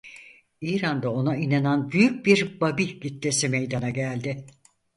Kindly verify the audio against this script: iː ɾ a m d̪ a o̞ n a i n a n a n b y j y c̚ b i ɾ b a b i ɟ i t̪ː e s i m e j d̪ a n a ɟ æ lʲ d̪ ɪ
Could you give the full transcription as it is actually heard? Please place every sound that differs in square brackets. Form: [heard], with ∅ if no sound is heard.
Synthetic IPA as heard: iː ɾ a [n] d̪ a o̞ n a i n a n a n b y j y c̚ b i ɾ b a b i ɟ i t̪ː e s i m e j d̪ a n a ɟ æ lʲ d̪ ɪ